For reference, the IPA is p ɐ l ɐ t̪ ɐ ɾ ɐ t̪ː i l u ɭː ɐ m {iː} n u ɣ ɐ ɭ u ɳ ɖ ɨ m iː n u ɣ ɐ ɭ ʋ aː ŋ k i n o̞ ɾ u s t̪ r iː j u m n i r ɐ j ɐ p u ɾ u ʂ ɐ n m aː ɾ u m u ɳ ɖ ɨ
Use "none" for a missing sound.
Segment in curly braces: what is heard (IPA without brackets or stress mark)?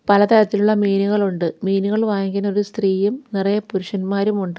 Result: iː